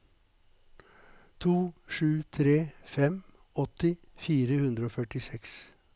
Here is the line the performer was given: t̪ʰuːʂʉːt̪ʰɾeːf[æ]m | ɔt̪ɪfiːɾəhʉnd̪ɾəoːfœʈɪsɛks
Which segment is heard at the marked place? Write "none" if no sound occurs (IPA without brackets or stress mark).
ɛ